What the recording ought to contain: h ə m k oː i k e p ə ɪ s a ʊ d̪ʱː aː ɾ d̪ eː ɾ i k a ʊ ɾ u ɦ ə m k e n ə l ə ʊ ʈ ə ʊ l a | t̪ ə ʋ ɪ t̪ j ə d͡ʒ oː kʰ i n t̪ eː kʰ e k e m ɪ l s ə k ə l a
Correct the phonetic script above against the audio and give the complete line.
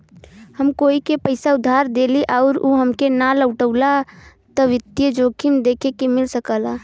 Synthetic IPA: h ə m k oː i k e p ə ɪ s a ʊ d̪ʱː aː ɾ d̪ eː l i ʔ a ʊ ɾ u ɦ ə m k e n a l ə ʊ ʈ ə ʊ l a | t̪ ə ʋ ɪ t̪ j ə d͡ʒ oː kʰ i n d̪ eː kʰ e k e m ɪ l s ə k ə l a